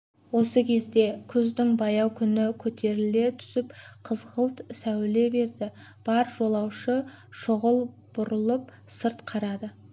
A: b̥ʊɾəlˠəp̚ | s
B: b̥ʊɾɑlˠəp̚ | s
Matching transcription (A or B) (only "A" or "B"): A